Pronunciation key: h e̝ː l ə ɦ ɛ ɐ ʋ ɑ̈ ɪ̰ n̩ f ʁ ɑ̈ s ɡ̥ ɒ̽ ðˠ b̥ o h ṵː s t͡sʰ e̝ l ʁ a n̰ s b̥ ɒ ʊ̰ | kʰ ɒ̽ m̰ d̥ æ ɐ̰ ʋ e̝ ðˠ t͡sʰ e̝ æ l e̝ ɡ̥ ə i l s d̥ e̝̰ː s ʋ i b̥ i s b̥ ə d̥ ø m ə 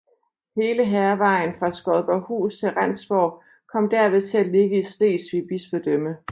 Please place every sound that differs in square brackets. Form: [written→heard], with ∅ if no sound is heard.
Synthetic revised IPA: h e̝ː l ə ɦ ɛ ɐ ʋ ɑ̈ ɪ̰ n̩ f ʁ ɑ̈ s ɡ̥ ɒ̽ ðˠ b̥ [o→ɒ] h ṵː s t͡sʰ e̝ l ʁ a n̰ s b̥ ɒ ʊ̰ | kʰ ɒ̽ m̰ d̥ æ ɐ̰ ʋ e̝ ðˠ t͡sʰ e̝ æ l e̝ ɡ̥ ə i [l→∅] s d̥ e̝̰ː s ʋ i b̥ i s b̥ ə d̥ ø m ə